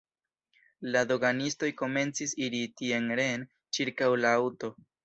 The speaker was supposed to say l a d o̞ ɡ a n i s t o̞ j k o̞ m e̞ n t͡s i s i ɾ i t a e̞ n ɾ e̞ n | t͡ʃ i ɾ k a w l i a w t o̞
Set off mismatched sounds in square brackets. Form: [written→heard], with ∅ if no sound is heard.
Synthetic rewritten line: l a d o̞ ɡ a n i s t o̞ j k o̞ m e̞ n t͡s i s i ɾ i t [a→i] e̞ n ɾ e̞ n | t͡ʃ i ɾ k a w l [i→a] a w t o̞